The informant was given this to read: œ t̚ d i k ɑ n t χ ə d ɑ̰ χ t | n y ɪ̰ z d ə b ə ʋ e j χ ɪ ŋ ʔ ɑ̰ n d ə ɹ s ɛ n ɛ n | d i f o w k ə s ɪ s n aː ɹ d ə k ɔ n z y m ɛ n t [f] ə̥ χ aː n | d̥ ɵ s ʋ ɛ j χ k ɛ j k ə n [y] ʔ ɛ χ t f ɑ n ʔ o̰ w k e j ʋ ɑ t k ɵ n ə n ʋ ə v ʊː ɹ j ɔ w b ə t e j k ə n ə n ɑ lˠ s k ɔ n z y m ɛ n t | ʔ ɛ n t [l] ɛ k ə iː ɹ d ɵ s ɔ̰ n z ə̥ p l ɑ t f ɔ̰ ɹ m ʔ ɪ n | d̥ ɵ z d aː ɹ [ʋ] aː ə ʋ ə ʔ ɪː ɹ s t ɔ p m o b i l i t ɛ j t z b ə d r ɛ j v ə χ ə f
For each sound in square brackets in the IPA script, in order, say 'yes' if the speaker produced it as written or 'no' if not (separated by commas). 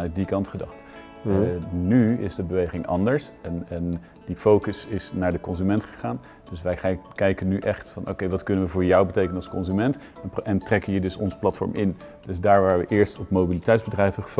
no, yes, no, yes